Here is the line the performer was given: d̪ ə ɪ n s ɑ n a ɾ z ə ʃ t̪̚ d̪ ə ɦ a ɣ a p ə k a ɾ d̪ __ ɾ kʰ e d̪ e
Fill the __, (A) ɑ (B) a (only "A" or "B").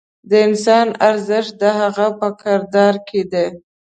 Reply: A